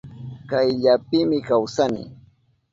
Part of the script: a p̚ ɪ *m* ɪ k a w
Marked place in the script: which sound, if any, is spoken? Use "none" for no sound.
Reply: m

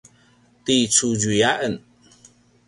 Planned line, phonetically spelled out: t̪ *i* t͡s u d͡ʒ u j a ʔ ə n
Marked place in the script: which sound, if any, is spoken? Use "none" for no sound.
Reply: i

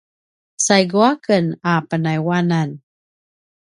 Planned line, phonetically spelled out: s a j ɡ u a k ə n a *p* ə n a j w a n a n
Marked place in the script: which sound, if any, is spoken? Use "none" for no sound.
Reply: p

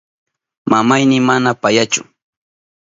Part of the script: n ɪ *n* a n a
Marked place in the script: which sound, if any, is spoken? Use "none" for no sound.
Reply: m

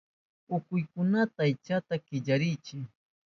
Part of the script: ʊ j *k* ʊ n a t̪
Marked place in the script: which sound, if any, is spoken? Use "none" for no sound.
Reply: k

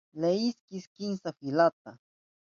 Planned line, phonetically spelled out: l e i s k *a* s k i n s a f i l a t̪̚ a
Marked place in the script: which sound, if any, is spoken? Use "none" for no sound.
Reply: i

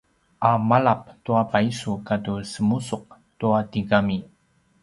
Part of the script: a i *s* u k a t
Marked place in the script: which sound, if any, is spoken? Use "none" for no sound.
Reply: s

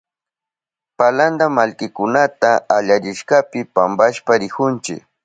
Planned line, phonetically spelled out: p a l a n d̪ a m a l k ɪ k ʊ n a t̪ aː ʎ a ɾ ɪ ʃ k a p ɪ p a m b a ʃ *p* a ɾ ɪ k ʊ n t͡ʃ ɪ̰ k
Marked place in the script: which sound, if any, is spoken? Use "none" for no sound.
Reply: p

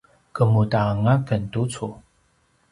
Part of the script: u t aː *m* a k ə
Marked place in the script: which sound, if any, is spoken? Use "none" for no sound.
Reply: ŋ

